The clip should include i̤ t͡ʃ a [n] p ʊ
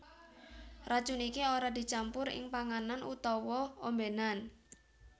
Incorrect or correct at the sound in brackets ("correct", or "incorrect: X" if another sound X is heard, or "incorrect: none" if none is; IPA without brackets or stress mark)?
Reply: incorrect: m